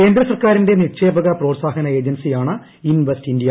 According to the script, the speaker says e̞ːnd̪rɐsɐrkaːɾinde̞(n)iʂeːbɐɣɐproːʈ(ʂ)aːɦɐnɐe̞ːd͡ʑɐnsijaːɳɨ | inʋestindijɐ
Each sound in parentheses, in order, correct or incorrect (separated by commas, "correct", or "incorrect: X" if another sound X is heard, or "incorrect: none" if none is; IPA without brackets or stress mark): correct, incorrect: s